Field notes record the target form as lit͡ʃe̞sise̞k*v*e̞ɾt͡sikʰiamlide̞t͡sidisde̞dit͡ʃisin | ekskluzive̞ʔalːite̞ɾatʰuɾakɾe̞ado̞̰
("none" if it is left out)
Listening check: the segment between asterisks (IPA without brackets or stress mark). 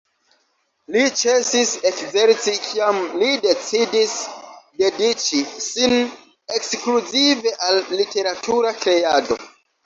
z